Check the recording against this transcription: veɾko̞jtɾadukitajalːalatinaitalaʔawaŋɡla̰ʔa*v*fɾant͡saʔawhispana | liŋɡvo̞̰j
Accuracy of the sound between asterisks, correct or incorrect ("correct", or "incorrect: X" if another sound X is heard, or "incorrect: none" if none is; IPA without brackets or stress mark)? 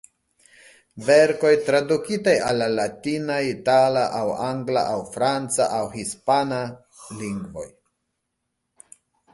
incorrect: w